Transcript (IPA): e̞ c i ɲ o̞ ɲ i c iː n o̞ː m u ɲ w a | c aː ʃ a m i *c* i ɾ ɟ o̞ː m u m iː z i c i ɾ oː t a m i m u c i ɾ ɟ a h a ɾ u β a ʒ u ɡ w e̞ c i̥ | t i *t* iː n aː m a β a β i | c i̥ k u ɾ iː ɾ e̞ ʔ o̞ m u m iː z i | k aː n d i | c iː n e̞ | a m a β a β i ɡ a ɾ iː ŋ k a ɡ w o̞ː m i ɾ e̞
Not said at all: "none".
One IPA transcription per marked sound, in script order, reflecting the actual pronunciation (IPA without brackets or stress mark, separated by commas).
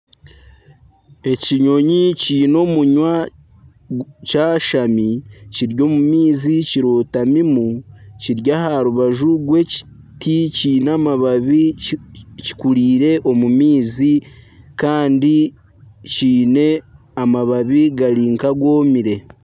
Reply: c, c